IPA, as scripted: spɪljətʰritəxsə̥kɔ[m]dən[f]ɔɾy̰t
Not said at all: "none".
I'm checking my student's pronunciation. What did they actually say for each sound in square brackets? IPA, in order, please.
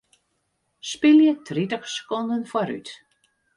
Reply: n, f

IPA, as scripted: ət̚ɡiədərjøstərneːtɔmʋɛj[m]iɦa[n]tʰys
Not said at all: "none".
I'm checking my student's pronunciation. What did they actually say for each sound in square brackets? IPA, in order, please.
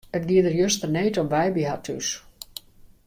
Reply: b, none

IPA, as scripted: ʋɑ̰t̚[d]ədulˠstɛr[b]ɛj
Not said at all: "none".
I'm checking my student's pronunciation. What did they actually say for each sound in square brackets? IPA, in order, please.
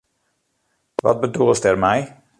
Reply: b, m

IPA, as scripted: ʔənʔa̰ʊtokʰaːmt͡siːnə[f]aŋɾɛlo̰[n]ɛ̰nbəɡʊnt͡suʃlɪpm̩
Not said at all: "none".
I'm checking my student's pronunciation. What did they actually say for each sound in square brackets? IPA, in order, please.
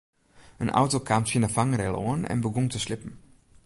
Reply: f, n

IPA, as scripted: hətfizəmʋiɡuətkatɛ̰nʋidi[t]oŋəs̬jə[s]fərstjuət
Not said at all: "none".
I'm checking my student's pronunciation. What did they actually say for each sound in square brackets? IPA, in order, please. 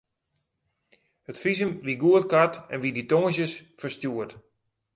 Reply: t, s

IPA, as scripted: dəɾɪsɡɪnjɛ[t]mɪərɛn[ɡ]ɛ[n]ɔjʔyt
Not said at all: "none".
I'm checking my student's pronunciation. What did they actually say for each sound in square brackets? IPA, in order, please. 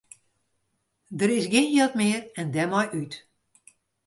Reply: t, d, m

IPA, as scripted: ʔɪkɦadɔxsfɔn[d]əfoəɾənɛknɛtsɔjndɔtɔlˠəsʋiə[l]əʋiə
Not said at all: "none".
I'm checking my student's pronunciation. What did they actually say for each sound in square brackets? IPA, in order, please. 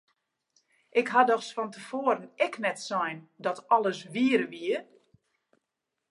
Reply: t, ɾ

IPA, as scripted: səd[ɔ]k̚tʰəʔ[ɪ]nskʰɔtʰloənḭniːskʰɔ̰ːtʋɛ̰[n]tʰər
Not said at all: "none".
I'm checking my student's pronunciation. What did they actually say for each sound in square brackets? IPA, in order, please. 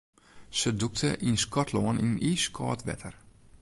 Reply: u, i, none

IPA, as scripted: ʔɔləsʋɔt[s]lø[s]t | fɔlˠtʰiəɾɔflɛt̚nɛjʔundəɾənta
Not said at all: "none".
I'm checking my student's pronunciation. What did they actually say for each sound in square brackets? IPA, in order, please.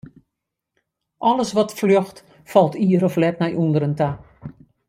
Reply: f, x

